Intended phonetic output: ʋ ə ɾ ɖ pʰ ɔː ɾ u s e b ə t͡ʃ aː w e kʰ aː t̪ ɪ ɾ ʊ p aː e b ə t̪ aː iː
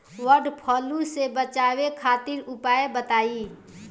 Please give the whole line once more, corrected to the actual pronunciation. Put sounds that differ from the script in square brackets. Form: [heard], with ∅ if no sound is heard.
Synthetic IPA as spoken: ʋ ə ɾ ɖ pʰ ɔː [l] u s e b ə t͡ʃ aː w e kʰ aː t̪ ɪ ɾ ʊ p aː e b ə t̪ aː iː